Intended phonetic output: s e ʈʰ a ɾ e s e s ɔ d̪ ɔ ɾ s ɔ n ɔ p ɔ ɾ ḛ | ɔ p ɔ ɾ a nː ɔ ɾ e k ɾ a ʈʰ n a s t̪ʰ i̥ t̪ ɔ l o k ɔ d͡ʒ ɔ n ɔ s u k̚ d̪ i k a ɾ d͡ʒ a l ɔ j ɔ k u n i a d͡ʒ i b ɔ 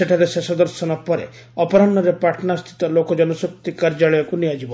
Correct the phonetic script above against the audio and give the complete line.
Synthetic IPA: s e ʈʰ a ɾ e s e s ɔ d̪ ɔ ɾ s ɔ n ɔ p ɔ ɾ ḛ | ɔ p ɔ ɾ a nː ɔ ɾ e p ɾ a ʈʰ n a s t̪ʰ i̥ t̪ ɔ l o k ɔ d͡ʒ ɔ n ɔ s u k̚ t̪ i k a ɾ d͡ʒ a ɭ ɔ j ɔ k u n i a d͡ʒ i b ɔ

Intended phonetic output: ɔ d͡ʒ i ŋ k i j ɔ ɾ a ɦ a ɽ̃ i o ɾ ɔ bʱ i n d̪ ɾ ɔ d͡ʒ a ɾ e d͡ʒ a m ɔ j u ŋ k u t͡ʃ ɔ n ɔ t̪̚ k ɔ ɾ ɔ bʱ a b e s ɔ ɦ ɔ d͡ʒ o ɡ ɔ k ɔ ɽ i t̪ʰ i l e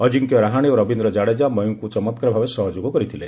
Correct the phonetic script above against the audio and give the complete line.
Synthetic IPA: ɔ d͡ʒ i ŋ k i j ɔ ɾ a ɦ a ɽ̃ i o ɾ ɔ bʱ i n d̪ ɾ ɔ d͡ʒ a ɽ e d͡ʒ a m ɔ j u ŋ k u t͡ʃ ɔ m ɔ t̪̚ k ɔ ɾ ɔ bʱ a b e s ɔ ɦ ɔ d͡ʒ o ɡ ɔ k ɔ ɾ i t̪ʰ i l e

